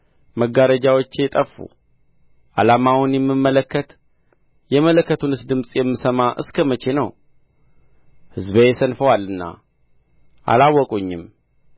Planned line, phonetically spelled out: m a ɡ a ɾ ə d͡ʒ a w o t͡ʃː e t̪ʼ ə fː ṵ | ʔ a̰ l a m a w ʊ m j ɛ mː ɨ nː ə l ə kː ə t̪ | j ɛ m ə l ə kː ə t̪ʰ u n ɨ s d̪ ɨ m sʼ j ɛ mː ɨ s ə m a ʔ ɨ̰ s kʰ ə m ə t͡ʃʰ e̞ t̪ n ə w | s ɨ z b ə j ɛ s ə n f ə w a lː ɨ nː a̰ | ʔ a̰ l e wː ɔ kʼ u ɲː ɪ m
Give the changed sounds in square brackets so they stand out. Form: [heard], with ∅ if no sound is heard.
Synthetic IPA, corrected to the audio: m [ə] ɡ a ɾ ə d͡ʒ a w o t͡ʃː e t̪ʼ ə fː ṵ | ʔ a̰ l a m a w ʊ [n] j ɛ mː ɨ [mː] ə l ə kː ə t̪ | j ɛ m ə l ə kː ə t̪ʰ u n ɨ s d̪ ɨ m sʼ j ɛ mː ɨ s ə m a ʔ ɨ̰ s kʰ ə m ə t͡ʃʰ e̞ [∅] n ə w | [h] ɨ z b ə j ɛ s ə n f ə w a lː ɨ nː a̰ | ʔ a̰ l [a] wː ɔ kʼ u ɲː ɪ m